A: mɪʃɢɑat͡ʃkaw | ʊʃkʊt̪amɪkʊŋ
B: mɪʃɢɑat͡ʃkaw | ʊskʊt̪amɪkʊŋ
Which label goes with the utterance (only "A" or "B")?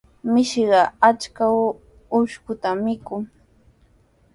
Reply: A